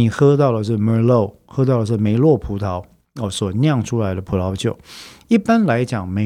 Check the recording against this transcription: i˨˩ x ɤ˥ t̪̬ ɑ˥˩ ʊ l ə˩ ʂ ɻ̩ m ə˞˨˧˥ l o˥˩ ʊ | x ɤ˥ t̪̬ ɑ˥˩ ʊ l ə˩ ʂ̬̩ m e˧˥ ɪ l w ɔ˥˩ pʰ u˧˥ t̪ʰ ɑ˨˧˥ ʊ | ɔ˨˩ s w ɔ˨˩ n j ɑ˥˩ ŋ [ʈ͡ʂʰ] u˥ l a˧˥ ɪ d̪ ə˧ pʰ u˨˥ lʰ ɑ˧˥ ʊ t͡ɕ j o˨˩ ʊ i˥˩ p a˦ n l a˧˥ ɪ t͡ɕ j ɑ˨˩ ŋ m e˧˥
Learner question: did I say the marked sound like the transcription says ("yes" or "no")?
yes